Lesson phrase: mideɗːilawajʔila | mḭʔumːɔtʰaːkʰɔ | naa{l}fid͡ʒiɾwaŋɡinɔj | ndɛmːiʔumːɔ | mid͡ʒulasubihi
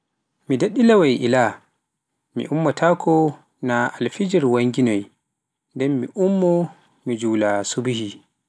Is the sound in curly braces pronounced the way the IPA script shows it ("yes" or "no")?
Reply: yes